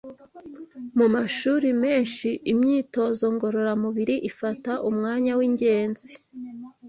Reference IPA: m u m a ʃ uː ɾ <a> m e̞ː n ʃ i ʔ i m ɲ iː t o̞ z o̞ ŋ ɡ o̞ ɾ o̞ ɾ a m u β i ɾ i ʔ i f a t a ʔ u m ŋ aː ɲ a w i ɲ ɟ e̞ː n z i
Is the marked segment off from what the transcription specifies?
yes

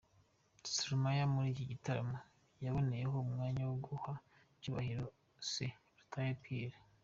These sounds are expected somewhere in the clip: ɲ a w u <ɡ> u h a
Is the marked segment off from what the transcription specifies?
no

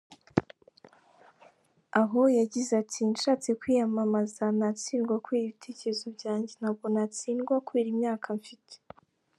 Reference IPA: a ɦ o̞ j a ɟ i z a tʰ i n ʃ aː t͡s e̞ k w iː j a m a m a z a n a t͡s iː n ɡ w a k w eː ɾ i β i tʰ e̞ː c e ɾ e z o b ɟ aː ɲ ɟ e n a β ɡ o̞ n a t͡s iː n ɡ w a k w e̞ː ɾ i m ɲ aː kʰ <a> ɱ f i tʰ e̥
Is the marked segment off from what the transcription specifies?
no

